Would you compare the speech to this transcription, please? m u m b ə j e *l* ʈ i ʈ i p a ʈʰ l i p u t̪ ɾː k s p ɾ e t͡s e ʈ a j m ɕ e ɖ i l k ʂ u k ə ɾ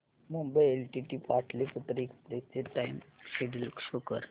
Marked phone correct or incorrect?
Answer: correct